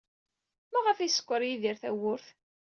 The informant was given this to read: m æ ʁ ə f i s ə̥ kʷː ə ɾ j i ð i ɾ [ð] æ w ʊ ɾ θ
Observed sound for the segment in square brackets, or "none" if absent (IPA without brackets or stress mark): θ